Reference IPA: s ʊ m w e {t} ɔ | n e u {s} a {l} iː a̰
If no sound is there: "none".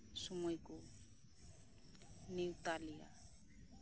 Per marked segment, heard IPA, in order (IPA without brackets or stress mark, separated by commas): k, t, l